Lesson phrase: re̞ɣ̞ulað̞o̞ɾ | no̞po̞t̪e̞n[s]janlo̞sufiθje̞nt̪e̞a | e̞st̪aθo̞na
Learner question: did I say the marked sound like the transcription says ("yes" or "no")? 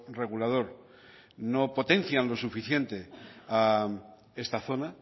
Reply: no